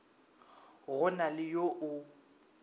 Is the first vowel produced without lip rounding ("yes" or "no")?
no